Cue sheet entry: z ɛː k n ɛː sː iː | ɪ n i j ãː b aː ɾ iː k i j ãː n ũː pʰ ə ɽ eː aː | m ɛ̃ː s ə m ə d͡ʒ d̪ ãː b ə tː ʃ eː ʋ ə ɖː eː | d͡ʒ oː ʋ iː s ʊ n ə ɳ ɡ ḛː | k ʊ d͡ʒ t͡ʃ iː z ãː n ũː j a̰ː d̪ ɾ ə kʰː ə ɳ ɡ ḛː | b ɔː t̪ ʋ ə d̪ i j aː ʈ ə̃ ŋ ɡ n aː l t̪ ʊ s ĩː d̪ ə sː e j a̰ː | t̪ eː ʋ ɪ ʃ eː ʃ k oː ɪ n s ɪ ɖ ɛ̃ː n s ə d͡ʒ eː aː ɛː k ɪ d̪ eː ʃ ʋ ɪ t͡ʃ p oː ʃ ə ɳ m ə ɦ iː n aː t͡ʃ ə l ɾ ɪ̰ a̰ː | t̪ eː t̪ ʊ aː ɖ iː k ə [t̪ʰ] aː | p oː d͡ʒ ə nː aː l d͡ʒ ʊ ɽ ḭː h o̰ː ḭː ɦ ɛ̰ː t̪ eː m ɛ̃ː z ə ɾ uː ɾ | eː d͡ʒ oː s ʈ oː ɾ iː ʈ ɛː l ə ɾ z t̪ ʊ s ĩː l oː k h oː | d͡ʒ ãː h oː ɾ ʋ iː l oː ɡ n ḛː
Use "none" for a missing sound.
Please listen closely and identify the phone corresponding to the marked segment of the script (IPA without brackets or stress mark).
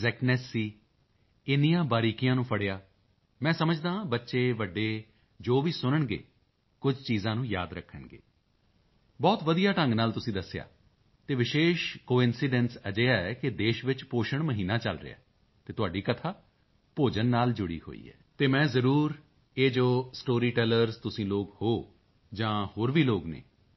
t̪ʰ